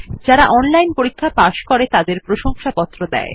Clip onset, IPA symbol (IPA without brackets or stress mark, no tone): d͡ʑ